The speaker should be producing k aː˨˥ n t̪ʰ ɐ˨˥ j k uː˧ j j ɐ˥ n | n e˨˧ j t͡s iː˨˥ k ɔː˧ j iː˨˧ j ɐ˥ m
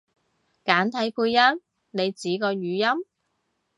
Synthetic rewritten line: k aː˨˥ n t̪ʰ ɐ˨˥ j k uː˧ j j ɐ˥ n | n e˨˧ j t͡s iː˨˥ k ɔː˧ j yː˨˧ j ɐ˥ m